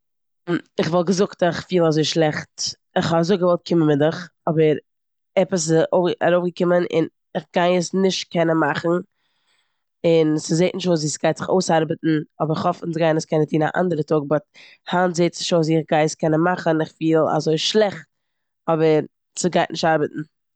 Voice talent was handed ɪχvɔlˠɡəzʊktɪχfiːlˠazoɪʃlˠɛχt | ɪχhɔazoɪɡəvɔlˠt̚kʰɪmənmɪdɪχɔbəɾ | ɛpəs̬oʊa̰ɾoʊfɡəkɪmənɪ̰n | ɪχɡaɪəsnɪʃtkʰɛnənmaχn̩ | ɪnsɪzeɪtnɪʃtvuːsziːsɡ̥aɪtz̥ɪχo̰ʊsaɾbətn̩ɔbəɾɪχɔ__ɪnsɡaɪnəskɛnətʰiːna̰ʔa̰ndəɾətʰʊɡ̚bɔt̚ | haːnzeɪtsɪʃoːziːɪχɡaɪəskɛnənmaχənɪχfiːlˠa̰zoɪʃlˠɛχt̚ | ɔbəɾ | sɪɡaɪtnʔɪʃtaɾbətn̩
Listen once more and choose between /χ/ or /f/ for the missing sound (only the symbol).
f